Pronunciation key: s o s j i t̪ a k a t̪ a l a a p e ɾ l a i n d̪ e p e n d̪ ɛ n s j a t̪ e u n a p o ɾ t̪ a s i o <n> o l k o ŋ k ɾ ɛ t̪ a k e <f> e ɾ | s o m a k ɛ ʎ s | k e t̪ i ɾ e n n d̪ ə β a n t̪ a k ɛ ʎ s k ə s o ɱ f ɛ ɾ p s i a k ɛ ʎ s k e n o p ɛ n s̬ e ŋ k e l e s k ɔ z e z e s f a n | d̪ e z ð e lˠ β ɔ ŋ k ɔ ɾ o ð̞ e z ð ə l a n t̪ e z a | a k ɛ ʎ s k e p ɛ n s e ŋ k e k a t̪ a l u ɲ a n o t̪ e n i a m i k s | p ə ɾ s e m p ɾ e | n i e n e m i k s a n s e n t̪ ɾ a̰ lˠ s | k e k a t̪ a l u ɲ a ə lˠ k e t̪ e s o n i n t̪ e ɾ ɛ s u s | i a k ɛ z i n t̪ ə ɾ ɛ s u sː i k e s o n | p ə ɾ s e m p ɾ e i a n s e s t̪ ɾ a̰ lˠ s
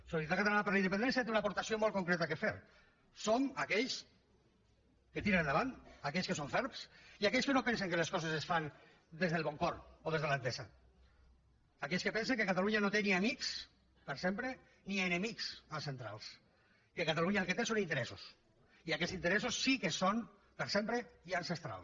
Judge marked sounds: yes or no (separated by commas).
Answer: no, yes